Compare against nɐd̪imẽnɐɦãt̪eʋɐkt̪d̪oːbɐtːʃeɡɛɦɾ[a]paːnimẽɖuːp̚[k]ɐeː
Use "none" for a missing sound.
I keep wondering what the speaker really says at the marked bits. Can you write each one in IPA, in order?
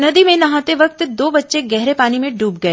e, ɡ

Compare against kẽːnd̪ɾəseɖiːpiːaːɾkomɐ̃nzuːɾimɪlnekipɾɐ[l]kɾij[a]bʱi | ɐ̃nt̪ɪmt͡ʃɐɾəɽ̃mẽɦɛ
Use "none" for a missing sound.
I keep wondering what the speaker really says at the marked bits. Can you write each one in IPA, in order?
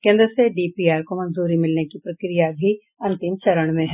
none, a

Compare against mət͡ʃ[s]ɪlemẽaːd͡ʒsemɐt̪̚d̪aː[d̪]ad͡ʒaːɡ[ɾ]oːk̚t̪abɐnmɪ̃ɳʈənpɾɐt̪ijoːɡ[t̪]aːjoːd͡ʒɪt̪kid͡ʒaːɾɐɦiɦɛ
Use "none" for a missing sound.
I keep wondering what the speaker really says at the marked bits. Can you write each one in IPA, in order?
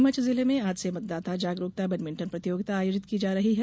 z, t̪, ɾ, t̪

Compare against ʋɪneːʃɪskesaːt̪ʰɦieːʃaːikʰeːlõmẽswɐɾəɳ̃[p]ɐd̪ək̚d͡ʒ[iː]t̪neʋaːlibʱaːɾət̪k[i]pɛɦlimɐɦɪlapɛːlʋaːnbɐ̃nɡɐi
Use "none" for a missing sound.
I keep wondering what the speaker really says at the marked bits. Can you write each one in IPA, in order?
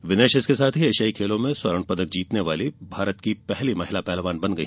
p, iː, i

